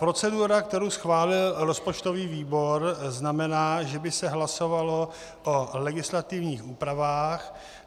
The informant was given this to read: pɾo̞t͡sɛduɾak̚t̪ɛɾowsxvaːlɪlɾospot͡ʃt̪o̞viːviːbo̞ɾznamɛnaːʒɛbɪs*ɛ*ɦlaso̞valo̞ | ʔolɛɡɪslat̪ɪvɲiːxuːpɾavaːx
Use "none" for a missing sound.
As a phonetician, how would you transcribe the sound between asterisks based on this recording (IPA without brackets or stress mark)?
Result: ɛ